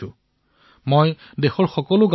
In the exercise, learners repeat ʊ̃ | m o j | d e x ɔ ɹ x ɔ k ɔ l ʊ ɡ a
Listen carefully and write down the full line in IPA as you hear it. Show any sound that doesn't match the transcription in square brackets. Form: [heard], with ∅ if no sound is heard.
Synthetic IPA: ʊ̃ | m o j | d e x ɔ ɹ x ɔ k ɔ l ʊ ɡ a